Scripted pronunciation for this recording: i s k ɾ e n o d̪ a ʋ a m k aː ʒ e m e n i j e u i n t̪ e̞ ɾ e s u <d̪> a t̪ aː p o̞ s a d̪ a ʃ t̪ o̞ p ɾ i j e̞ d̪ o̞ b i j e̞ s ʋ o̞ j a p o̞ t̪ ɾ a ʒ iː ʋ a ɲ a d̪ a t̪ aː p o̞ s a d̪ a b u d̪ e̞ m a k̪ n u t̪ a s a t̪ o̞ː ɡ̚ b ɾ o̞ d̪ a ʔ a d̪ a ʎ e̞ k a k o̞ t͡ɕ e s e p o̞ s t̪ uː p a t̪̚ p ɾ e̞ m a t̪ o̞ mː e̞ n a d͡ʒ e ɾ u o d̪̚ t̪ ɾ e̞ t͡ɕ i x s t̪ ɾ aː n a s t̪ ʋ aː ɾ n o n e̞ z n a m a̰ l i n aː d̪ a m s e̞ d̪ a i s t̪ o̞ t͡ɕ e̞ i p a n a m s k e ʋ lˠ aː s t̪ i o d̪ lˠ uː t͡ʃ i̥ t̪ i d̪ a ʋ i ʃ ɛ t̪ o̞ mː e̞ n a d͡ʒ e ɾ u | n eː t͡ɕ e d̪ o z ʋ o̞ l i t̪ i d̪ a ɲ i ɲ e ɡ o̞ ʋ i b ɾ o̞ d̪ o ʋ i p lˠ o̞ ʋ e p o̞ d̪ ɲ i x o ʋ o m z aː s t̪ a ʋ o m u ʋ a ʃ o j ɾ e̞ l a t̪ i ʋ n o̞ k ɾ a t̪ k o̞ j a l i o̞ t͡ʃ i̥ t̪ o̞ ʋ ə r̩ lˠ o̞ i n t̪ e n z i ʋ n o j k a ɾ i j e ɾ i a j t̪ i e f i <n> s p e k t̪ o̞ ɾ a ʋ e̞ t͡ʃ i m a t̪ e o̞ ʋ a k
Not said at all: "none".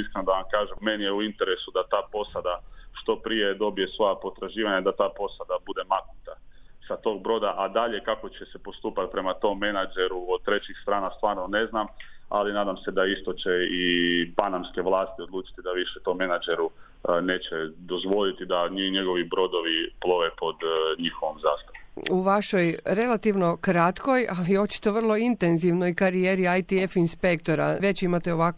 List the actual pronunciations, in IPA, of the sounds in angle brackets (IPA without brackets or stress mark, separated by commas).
d̪, n